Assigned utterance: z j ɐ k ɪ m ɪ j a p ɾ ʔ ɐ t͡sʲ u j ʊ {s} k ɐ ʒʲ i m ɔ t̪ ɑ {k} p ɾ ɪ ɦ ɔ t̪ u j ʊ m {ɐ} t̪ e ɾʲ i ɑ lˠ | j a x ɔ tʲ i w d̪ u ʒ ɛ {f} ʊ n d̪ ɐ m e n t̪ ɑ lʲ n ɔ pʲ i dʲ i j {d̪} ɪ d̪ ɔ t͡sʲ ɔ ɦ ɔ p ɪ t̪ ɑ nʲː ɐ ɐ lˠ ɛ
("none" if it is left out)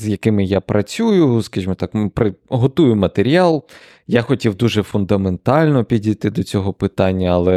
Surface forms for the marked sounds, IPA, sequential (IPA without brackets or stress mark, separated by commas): s, k, ɐ, f, t̪